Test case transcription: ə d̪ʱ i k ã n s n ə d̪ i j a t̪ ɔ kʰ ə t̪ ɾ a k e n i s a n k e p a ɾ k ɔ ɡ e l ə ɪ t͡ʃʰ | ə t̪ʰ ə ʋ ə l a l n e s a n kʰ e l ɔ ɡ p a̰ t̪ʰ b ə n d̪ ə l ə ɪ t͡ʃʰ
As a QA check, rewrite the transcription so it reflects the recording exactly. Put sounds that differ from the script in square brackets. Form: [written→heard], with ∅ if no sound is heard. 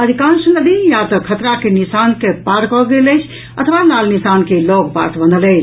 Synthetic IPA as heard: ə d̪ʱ i k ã n s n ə d̪ i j a t̪ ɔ kʰ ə t̪ ɾ a k e n i s a n k e p a ɾ k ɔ ɡ e l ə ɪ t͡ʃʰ | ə t̪ʰ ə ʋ [ə→a] l a l n [e→i] s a n [kʰ→k] e l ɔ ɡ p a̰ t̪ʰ b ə n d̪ ə l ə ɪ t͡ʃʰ